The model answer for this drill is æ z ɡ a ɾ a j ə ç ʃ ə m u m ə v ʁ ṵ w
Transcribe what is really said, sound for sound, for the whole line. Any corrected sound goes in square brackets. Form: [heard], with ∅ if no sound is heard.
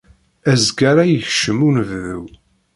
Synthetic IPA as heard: æ z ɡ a ɾ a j ə ç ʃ ə m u [n] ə v [ð] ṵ w